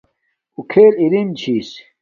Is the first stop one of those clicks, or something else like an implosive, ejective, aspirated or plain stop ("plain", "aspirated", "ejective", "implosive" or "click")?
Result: aspirated